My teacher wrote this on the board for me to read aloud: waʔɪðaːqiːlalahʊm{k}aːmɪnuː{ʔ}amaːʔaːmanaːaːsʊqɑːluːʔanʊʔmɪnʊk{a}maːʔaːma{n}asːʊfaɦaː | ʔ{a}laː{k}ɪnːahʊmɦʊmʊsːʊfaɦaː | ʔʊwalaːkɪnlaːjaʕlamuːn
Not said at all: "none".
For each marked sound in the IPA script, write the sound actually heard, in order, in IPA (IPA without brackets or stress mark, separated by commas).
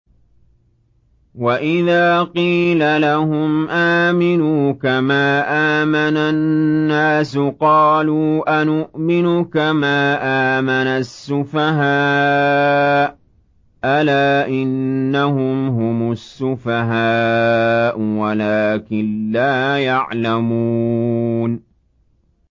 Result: ʔ, k, a, n, a, ʔ